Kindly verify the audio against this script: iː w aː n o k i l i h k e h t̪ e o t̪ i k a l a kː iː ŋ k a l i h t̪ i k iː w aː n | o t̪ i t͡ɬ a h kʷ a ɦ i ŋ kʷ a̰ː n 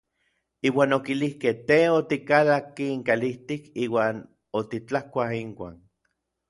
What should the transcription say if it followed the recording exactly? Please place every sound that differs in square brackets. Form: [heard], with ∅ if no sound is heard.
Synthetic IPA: iː w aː n o k i l i h k e h t̪ e o t̪ i k a l a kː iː ŋ k a l i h t̪ i k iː w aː n | o t̪ i t͡ɬ a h kʷ a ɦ i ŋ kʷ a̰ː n